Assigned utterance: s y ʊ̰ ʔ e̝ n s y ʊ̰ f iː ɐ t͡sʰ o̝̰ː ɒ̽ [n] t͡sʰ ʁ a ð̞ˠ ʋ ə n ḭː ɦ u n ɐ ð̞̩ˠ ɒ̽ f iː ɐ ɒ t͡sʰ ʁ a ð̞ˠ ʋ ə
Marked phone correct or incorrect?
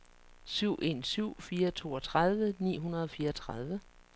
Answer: incorrect